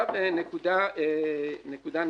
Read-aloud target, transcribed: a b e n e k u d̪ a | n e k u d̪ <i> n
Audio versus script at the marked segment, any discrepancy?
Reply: yes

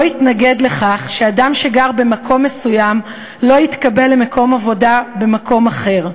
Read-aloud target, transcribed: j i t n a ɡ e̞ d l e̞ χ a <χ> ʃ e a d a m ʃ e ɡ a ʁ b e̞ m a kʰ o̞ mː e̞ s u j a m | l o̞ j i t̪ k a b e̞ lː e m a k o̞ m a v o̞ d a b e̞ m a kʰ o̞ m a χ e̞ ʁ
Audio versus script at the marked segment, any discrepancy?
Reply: no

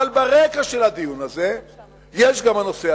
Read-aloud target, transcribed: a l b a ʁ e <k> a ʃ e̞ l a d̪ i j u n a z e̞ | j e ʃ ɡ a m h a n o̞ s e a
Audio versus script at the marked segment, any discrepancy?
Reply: no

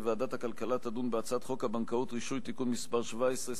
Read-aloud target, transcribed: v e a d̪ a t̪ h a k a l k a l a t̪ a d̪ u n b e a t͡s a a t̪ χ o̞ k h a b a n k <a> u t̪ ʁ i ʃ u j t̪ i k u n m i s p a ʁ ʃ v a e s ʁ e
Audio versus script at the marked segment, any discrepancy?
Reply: no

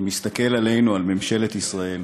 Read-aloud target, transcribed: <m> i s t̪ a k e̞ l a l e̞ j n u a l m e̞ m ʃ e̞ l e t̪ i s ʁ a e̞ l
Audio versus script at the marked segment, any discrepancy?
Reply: no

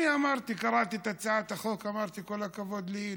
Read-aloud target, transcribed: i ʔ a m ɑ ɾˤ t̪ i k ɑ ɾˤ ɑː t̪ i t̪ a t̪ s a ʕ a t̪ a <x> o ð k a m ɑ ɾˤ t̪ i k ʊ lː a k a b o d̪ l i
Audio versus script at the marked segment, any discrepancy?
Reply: no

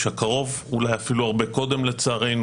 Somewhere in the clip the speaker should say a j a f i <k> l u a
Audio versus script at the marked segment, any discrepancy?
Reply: yes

